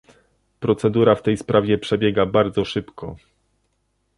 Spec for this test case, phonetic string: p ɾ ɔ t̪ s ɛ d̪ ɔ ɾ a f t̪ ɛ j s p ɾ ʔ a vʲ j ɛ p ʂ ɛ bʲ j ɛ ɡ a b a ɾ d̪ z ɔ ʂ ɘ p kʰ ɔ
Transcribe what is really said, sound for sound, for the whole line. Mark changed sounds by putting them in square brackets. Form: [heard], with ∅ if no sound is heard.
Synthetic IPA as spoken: p ɾ ɔ t̪ s ɛ d̪ [u] ɾ a f t̪ ɛ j s p ɾ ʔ a vʲ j ɛ p ʂ ɛ bʲ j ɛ ɡ a b a ɾ d̪ z ɔ ʂ ɘ p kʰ ɔ